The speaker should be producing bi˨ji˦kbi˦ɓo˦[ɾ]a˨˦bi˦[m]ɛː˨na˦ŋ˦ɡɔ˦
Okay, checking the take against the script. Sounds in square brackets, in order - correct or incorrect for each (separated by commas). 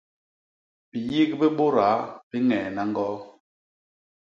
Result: correct, incorrect